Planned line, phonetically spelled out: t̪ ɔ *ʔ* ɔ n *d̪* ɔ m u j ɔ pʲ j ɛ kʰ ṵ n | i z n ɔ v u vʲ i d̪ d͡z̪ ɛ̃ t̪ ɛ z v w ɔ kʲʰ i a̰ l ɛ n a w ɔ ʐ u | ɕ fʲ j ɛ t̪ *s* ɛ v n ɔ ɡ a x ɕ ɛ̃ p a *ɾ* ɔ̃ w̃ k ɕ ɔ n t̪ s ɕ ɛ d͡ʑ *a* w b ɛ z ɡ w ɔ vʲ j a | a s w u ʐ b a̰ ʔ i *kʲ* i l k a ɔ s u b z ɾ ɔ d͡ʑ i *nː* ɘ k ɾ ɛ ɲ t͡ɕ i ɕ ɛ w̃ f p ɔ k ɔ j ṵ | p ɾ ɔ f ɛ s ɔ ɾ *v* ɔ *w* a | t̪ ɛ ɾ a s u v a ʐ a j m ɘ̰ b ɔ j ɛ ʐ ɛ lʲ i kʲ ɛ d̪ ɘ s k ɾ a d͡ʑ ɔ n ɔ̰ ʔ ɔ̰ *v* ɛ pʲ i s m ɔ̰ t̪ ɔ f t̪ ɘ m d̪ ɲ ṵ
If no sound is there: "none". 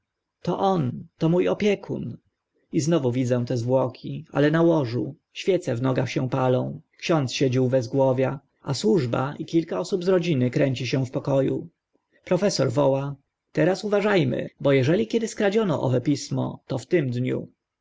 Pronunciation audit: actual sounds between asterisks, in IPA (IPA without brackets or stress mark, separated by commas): ʔ, t̪, s, l, i, kʲ, n, v, w, v